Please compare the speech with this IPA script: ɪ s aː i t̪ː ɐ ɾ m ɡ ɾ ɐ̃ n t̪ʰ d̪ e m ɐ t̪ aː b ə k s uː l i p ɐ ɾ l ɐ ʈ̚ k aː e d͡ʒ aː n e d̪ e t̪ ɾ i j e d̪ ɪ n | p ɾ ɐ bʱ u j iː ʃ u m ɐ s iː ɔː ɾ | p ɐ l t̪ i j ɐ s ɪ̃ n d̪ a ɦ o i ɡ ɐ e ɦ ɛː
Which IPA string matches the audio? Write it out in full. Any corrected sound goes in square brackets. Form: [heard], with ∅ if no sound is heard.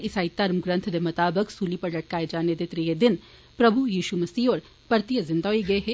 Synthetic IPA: ɪ s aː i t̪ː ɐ ɾ m ɡ ɾ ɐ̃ n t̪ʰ d̪ e m ɐ t̪ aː b ə k s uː l i p ɐ ɾ l ɐ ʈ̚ k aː e d͡ʒ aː n e d̪ e t̪ ɾ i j e d̪ ɪ n | p ɾ ɐ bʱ u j iː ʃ u m ɐ s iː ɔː ɾ | p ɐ [ɾ] t̪ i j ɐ [z] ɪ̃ n d̪ a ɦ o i ɡ ɐ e ɦ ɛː